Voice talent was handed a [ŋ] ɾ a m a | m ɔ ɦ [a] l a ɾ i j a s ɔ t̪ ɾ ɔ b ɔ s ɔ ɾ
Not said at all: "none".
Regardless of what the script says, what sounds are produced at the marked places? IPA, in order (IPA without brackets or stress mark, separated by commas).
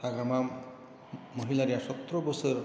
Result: ɡ, i